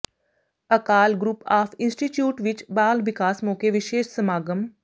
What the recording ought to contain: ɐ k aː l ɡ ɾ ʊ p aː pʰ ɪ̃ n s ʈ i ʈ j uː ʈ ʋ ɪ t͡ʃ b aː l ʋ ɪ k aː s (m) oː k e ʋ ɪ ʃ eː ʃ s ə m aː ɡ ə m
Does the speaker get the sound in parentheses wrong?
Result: no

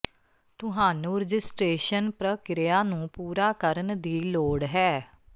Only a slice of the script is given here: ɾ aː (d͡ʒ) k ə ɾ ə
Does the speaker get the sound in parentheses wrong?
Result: yes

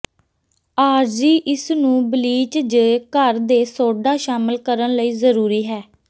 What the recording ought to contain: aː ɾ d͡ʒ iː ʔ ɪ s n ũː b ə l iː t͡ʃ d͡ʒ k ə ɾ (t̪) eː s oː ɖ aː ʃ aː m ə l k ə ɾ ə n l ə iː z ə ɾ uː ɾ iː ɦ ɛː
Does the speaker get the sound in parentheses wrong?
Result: yes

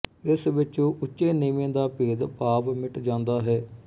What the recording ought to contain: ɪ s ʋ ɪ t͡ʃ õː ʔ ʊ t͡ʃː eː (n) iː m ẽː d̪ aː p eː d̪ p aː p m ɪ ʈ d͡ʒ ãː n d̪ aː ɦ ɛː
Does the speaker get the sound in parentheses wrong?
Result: no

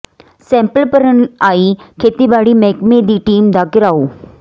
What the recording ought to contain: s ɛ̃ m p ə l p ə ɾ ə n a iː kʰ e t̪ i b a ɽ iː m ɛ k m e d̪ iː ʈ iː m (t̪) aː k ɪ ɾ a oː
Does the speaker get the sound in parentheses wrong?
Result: yes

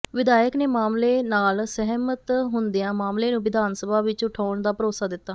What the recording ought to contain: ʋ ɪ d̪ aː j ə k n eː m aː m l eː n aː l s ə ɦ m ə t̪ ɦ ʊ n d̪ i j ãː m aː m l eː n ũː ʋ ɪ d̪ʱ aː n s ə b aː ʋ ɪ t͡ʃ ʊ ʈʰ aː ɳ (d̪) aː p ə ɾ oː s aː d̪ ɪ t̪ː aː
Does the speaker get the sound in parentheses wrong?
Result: no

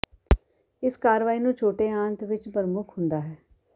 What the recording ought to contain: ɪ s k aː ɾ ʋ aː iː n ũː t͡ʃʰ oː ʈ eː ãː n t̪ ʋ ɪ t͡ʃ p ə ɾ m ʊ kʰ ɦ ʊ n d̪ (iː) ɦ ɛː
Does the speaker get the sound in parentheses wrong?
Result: yes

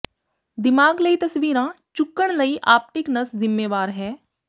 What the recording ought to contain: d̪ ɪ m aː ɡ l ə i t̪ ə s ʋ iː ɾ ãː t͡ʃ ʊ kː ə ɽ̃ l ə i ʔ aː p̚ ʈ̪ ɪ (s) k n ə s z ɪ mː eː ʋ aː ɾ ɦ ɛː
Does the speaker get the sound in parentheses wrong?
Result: yes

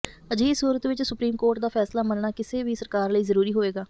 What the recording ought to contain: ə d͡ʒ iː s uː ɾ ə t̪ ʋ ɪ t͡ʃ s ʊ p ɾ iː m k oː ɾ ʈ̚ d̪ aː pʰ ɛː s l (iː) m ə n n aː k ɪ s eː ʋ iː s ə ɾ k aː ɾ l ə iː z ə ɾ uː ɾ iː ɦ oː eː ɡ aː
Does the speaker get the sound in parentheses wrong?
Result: yes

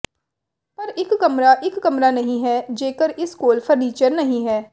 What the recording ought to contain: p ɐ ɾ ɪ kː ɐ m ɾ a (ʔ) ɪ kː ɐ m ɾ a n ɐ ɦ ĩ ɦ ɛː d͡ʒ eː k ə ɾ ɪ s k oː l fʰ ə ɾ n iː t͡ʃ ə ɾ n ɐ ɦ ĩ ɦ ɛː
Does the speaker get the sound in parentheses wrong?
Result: no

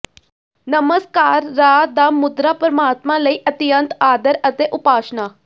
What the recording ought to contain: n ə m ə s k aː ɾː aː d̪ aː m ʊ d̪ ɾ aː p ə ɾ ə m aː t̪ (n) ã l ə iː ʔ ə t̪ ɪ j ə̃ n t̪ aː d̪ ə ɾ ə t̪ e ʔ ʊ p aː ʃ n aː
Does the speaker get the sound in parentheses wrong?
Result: yes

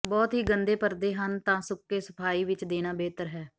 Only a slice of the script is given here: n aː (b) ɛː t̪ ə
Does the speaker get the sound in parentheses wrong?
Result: no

